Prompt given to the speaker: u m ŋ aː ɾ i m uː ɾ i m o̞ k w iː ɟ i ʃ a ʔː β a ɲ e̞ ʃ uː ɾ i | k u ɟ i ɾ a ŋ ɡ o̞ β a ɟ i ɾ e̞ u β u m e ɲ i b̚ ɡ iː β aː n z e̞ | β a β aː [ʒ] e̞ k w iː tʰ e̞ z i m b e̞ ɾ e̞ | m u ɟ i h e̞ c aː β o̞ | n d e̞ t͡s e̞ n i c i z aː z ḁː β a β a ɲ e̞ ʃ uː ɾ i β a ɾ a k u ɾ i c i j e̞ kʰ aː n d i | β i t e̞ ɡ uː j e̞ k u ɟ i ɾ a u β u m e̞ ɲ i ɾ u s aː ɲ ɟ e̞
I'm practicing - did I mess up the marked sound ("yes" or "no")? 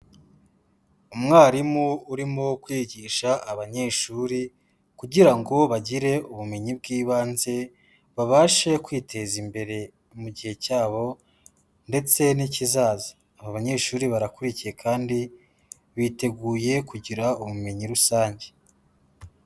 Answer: yes